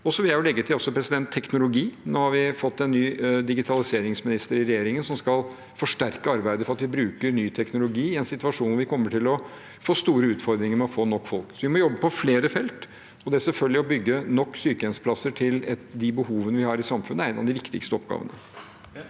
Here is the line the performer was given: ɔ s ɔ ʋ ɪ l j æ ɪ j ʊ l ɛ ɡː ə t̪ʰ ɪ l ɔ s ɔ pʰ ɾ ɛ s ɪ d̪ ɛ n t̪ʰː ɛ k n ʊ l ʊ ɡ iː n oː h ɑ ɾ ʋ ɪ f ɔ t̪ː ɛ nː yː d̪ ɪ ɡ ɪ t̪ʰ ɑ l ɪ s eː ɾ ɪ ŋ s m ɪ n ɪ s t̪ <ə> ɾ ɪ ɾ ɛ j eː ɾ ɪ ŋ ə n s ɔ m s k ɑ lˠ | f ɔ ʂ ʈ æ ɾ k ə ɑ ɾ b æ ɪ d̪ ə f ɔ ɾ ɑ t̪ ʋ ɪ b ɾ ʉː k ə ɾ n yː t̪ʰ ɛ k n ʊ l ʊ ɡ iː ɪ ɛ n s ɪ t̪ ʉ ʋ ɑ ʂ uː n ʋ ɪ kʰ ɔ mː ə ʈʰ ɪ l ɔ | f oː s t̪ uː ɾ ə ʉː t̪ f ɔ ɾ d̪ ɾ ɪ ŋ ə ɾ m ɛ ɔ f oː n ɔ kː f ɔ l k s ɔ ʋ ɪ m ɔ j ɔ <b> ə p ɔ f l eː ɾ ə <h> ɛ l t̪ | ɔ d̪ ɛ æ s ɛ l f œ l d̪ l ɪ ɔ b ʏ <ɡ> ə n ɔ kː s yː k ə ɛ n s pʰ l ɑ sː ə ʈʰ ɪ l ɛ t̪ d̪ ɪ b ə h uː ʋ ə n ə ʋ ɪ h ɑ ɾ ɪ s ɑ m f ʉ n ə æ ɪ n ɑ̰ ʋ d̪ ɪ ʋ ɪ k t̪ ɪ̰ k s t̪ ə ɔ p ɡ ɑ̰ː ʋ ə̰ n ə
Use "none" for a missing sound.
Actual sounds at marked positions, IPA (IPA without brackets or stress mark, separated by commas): ə, bː, f, ɡː